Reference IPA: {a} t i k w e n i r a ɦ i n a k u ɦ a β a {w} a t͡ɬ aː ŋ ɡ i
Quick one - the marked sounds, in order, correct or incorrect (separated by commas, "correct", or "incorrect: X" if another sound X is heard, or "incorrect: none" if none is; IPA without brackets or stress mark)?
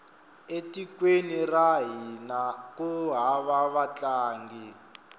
incorrect: e, incorrect: β